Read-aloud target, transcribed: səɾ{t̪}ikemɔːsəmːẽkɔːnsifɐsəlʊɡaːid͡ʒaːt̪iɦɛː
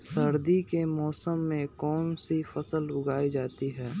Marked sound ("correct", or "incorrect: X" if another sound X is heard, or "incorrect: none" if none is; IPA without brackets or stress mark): incorrect: d̪